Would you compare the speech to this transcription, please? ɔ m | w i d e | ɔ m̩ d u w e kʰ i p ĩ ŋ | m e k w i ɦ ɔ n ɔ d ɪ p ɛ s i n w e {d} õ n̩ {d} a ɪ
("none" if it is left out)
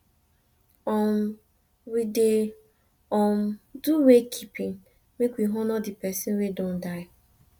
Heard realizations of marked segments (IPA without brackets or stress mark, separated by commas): d, d